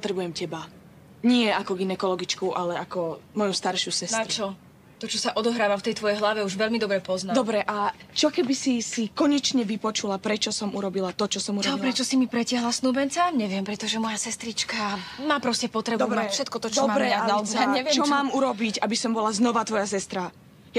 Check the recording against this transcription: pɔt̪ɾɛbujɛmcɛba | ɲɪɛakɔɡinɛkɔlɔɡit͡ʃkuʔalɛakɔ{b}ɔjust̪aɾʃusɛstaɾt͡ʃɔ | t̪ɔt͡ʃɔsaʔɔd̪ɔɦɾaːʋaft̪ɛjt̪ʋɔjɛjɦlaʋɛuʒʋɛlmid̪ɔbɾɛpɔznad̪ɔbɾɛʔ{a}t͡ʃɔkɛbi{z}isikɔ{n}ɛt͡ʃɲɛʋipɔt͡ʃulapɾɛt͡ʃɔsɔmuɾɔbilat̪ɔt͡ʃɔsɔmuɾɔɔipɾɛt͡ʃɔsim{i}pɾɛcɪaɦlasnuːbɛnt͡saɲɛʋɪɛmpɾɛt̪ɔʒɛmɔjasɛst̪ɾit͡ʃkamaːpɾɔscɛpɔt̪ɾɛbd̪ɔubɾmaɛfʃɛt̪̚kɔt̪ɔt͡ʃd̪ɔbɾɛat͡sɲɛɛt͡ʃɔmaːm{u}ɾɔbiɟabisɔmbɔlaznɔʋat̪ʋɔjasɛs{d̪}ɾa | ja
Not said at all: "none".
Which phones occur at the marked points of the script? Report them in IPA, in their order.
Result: m, a, s, ɲ, i, u, t̪

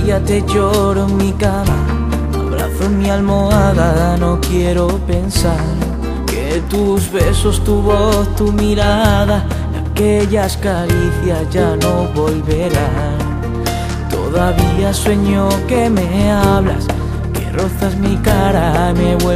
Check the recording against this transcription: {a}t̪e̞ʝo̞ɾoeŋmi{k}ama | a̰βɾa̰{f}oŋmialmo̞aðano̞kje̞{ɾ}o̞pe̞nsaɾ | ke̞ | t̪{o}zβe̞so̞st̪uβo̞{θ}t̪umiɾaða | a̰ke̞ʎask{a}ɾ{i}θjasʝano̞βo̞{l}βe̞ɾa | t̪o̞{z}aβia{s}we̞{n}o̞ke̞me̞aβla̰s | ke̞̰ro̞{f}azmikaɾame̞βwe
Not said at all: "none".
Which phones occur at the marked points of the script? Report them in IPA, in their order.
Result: a, k, θ, ɾ, u, θ, a, i, l, ð, s, ɲ, θ

